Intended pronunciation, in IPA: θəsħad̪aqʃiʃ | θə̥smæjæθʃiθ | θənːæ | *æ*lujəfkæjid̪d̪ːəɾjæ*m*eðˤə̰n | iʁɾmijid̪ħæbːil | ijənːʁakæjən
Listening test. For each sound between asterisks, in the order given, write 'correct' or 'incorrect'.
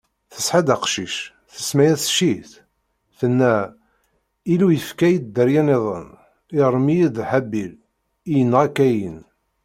incorrect, incorrect

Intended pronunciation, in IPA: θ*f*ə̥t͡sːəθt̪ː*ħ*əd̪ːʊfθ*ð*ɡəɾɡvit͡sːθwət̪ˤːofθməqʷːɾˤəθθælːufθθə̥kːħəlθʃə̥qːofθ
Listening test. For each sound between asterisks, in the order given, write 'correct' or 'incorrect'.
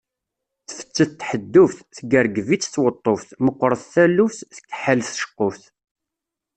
correct, correct, incorrect

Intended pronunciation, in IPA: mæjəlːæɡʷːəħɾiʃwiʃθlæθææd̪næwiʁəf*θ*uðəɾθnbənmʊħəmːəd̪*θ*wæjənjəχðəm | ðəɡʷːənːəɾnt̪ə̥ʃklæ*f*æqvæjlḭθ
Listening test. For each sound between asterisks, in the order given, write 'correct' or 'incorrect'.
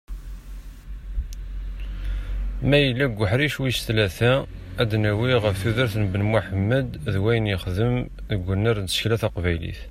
correct, incorrect, incorrect

